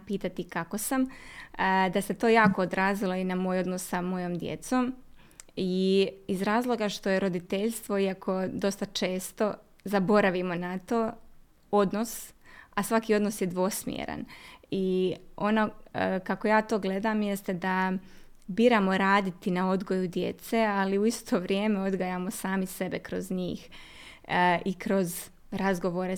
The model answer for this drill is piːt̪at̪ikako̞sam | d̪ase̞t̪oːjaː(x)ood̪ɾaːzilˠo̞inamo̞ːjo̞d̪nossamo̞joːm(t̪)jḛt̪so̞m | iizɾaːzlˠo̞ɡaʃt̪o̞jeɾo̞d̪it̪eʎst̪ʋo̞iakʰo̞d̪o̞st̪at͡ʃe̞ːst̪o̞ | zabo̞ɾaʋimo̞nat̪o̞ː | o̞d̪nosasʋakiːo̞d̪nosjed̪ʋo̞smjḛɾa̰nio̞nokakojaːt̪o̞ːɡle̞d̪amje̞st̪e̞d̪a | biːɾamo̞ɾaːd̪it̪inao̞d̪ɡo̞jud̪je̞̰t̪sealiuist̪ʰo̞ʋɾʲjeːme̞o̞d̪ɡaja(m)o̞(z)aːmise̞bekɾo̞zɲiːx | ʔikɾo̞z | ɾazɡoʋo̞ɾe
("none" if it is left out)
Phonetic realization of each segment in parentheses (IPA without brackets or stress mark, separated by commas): k, d̪, m, s